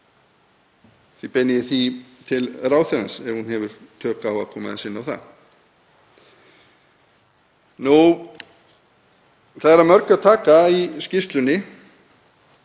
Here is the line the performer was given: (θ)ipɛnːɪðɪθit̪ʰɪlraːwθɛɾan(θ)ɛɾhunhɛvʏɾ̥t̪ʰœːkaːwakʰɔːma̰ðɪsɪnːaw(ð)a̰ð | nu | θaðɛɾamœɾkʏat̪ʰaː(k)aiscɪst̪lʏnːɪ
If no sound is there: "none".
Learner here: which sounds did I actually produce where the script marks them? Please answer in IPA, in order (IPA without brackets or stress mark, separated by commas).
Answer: θ, s, θ, k